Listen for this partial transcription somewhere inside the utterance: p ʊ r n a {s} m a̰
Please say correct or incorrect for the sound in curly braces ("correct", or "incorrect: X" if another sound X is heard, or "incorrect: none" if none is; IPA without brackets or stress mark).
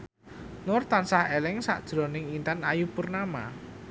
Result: incorrect: none